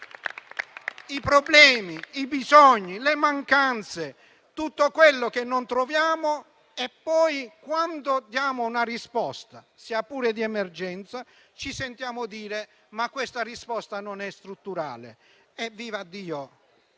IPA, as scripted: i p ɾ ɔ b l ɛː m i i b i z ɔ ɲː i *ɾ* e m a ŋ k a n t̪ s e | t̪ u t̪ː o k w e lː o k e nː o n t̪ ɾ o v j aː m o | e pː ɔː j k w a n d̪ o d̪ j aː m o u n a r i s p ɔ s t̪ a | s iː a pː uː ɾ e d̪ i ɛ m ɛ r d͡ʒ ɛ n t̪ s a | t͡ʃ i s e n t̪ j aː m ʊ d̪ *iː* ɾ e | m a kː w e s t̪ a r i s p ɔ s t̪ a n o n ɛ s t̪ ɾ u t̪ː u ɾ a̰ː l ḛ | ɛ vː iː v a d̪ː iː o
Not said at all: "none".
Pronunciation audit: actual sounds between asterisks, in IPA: l, iː

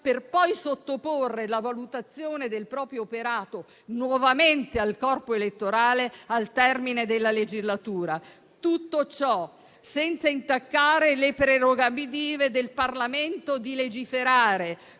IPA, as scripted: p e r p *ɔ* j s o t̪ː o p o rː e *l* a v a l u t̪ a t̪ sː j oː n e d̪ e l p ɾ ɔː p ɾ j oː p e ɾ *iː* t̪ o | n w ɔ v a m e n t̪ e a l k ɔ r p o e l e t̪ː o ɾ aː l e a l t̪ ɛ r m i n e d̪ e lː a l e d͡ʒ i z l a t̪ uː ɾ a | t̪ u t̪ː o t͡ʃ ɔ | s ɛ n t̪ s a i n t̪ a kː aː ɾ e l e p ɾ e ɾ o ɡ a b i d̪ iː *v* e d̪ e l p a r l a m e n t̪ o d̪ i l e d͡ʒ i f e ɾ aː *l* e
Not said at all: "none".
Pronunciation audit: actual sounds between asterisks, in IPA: ɔ, l, aː, v, ɾ

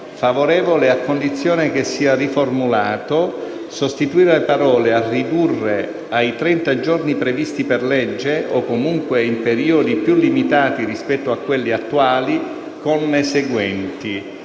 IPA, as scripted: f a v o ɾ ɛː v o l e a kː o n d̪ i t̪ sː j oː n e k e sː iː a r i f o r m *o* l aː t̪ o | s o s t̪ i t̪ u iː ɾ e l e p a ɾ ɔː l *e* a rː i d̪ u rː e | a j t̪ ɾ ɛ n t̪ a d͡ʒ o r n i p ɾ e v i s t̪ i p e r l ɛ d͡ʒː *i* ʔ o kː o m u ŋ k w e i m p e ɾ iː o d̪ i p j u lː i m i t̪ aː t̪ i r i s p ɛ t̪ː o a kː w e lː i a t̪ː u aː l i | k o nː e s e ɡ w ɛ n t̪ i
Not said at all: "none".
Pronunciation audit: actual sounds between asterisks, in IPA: u, e, e

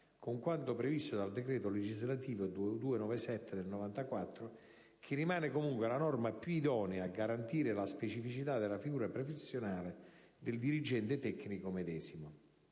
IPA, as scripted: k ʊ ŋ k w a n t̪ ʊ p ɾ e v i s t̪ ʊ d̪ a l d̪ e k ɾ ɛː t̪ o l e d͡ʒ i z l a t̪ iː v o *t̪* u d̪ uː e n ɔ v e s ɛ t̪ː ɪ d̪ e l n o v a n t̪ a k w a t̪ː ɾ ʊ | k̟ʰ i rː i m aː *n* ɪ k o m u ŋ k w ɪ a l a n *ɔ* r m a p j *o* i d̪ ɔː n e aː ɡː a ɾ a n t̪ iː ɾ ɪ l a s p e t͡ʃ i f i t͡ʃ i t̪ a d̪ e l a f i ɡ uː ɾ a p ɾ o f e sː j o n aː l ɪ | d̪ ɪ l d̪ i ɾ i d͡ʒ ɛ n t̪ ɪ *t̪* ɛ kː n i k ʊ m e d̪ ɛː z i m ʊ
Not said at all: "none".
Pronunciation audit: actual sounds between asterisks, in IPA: d̪, n, ɔ, u, t̪

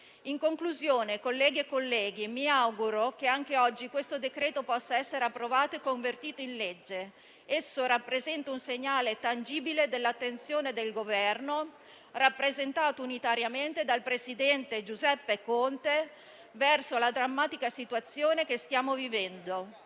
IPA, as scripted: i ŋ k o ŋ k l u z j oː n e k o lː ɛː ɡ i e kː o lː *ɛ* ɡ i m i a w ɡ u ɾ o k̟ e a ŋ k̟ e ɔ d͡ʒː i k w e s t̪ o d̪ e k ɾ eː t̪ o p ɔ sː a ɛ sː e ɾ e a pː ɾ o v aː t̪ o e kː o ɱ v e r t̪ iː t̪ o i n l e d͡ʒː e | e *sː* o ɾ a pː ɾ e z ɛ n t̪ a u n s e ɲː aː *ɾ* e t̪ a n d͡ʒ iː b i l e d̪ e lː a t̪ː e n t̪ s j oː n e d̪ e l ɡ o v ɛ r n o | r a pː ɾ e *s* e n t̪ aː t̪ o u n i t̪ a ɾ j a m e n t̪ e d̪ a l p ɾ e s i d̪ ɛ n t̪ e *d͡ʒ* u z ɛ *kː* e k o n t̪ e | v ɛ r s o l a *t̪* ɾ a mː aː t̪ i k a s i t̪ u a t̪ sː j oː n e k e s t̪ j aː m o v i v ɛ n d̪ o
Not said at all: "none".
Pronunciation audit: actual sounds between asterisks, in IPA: ɛː, sː, l, z, d͡ʒ, pː, d̪

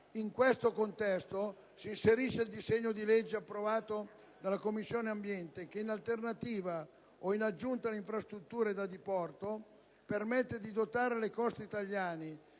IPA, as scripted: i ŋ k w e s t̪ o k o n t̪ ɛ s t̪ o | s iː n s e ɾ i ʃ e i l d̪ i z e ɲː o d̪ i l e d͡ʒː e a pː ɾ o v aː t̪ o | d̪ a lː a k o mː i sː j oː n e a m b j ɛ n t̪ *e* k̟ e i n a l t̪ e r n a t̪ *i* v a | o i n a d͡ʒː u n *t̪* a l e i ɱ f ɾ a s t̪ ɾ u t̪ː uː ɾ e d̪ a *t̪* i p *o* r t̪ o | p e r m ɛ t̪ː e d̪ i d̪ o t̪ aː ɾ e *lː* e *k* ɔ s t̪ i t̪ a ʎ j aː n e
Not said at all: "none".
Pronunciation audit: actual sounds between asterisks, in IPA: e, iː, t̪, d̪, ɔ, l, k

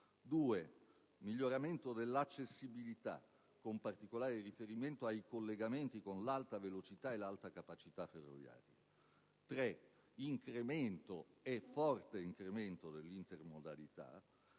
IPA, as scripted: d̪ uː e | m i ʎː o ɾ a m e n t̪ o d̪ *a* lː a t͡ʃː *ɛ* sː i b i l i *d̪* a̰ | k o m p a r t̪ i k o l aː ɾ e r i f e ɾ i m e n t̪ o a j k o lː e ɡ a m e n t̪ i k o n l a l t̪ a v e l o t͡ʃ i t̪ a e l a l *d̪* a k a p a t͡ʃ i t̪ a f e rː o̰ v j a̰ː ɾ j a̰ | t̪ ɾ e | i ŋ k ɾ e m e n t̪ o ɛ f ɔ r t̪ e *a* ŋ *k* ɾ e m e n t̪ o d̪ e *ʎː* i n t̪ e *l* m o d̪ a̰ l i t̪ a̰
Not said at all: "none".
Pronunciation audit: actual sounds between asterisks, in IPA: e, e, t̪, t̪, i, k, lː, r

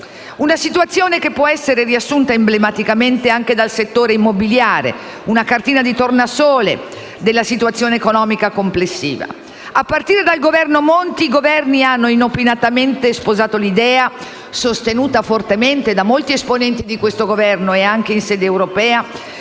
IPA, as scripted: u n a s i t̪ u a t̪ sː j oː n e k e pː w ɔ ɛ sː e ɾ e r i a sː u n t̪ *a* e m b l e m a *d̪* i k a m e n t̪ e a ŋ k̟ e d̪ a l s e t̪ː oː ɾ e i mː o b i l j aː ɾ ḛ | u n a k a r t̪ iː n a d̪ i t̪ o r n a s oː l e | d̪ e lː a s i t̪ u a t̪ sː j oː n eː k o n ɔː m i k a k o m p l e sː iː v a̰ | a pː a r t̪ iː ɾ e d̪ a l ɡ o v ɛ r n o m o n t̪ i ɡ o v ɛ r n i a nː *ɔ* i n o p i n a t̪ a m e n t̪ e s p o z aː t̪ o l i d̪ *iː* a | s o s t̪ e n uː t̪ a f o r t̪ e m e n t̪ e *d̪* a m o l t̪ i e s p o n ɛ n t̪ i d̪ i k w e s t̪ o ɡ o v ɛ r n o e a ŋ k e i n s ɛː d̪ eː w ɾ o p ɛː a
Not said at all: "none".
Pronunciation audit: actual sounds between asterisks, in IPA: a, t̪, o, ɛː, d̪

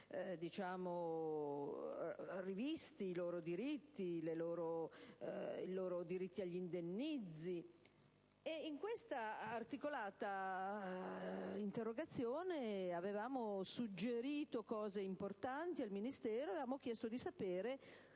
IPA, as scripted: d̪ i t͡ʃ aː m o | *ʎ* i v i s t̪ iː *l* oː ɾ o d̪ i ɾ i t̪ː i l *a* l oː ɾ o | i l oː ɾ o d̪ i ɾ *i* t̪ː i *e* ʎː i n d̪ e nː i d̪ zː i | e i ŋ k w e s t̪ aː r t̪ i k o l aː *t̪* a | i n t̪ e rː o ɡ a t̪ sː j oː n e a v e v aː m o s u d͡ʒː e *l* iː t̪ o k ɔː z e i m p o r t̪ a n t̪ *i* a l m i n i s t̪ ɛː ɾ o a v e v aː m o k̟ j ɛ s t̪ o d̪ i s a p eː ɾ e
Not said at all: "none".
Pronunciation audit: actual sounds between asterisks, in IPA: r, l, e, i, a, t̪, ɾ, i

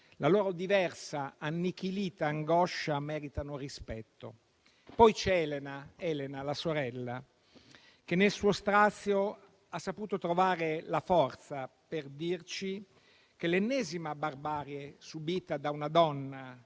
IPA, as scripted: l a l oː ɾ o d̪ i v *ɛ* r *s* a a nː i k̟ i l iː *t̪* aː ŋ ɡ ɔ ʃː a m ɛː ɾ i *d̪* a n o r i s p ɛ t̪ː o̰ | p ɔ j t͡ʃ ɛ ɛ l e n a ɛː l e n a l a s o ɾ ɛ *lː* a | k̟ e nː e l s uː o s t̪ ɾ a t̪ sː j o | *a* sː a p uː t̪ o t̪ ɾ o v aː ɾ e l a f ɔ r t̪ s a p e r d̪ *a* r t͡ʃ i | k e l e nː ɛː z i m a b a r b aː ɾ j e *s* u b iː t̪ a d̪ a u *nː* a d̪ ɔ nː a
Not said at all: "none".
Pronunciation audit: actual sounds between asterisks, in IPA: ɛ, s, t̪, t̪, lː, a, i, s, n

